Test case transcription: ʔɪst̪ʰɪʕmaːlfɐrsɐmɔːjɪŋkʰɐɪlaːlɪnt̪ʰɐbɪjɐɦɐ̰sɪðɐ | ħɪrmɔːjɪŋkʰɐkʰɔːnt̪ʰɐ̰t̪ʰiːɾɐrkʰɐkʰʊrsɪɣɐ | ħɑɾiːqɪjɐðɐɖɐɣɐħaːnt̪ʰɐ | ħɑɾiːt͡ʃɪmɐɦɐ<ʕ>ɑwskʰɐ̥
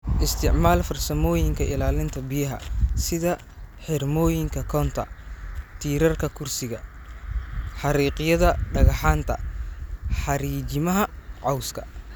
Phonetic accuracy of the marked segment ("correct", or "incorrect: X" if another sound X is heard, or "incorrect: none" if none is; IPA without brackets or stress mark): correct